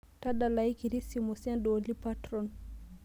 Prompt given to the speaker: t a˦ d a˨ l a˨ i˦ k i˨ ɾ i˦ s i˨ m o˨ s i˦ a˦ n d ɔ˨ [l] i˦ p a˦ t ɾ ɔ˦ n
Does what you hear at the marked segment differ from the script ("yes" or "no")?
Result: no